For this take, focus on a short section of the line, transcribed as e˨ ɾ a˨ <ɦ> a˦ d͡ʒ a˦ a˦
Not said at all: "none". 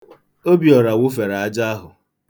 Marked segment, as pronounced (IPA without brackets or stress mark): none